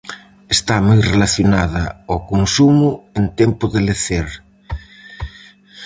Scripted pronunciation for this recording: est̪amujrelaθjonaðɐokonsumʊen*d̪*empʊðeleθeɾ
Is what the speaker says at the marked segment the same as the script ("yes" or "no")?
no